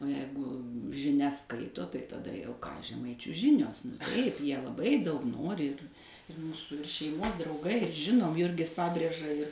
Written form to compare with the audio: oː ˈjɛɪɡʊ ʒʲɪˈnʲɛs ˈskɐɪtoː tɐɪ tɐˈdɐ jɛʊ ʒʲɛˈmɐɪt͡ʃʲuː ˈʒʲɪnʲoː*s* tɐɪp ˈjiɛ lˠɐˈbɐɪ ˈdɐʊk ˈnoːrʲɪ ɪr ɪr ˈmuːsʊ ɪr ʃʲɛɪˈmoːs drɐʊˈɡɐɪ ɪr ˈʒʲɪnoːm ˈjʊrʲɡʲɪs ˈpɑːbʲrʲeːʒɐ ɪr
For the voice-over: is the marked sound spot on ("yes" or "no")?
yes